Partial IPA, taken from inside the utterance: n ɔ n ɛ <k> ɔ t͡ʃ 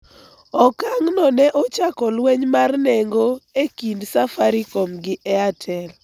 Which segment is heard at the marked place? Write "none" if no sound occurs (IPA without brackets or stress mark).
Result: ʔ